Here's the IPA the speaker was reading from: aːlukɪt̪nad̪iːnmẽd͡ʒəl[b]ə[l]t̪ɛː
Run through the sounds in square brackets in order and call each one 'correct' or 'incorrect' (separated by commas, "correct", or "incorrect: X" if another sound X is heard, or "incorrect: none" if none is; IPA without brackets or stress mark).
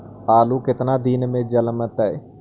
incorrect: m, incorrect: none